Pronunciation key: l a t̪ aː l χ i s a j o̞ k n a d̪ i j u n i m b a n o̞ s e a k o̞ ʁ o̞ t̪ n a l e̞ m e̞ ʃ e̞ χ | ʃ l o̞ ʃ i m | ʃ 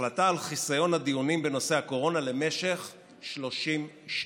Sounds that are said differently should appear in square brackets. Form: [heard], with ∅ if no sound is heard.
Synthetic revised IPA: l a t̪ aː l χ i s a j o̞ [∅] n a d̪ i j u n i m b [e] n o̞ s e a k o̞ ʁ o̞ [∅] n a l e̞ m e̞ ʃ e̞ χ | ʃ l o̞ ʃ i m | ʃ